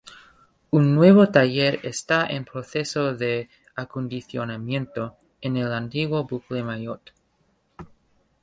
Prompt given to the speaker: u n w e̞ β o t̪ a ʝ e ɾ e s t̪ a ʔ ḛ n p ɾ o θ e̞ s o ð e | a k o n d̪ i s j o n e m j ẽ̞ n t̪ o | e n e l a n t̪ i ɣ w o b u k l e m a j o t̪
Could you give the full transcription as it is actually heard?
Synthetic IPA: u nː w e̞ β o t̪ a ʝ e ɾ e s t̪ a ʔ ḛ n p ɾ o θ e̞ s o ð e | a k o n d̪ i θ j o n a m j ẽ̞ n t̪ o | e n e l a n t̪ i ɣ w o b u k l e m a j o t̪

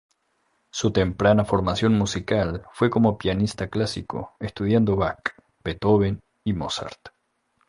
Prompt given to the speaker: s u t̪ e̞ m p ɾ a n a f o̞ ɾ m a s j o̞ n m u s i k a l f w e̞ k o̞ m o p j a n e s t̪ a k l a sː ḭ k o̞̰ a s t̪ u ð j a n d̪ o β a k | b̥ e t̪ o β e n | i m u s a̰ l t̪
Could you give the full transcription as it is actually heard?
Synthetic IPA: s u t̪ e̞ m p ɾ a n a f o̞ ɾ m a s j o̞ n m u s i k a l f w e̞ k o̞ m o p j a n i s t̪ a k l a s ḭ k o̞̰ e s t̪ u ð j a n d̪ o β a k | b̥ e t̪ o β e n | i m o s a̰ ɾ t̪

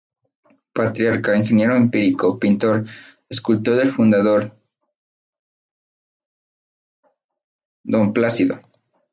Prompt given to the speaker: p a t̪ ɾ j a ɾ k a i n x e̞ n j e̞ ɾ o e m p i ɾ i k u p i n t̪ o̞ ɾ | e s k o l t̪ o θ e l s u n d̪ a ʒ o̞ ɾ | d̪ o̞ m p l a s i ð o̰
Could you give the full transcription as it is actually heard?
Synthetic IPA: p a t̪ ɾ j a ɾ k a i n x e̞ n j e̞ ɾ o e m p i ɾ i k o p i n t̪ o̞ ɾ | e s k u l t̪ o ð e l f u n d̪ a ð o̞ ɾ | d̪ o̞ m p l a s i ð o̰

